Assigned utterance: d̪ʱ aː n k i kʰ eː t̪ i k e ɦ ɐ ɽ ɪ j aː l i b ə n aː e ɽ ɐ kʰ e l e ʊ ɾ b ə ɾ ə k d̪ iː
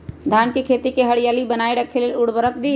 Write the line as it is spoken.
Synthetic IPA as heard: d̪ʱ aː n k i kʰ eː t̪ i k e ɦ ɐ ɽ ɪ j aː l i b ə n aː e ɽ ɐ kʰ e l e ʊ ɽ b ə ɾ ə k d̪ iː

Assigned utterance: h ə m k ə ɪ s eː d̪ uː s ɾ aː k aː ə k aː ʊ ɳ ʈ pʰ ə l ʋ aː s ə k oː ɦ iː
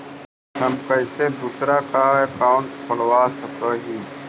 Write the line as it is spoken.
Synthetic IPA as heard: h ə m k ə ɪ s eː d̪ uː s ɾ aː k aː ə k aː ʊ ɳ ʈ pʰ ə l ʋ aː s ə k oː ɦ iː

